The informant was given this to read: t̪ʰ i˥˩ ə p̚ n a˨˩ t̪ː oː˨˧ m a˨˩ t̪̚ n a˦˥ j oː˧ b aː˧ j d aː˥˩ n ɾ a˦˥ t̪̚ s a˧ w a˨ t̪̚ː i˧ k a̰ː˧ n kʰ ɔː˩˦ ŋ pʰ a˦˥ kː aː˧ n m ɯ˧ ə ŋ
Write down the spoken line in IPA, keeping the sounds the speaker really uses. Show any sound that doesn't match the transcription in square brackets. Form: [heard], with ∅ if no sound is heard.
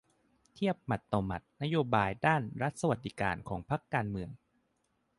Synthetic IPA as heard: t̪ʰ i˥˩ ə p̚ [m] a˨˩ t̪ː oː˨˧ m a˨˩ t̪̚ n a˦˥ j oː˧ b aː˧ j d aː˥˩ n ɾ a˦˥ t̪̚ s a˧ w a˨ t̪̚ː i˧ k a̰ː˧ n kʰ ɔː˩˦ ŋ pʰ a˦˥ kː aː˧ n m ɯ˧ ə ŋ